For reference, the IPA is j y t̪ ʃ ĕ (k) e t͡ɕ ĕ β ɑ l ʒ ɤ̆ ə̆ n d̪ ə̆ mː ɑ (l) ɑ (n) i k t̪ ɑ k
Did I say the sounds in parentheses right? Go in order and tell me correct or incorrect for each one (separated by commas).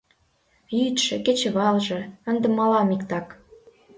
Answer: correct, correct, incorrect